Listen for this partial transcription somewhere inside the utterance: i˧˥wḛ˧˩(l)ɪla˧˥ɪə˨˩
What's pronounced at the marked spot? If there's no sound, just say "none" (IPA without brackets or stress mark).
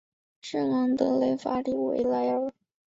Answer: none